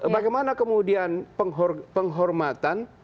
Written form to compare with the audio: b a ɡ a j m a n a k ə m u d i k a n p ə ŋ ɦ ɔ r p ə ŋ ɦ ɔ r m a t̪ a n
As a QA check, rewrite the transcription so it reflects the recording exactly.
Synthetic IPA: b a ɡ a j m a n a k ə m u d i a n p ə ŋ ɦ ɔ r p ə ŋ ɦ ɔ r m a t̪ a n